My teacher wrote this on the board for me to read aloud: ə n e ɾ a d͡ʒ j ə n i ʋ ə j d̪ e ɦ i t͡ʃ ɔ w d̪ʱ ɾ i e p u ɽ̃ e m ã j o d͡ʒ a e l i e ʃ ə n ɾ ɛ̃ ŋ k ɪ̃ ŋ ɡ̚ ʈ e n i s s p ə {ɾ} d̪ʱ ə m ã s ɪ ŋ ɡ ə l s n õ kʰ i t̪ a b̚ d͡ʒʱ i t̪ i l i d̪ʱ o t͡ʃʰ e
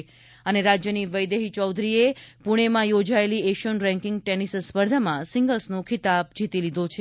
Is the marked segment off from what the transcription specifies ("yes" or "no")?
no